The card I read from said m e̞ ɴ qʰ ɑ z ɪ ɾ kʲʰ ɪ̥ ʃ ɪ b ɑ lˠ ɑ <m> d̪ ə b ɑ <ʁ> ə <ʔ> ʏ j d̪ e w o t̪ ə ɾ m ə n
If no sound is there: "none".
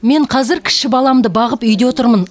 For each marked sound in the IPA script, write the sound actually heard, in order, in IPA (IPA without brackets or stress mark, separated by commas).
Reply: m, ʁ, p